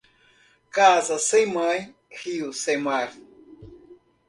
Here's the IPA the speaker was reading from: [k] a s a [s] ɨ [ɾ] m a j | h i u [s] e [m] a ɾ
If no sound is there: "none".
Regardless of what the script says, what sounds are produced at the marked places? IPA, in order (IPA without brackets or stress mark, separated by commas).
k, s, none, s, m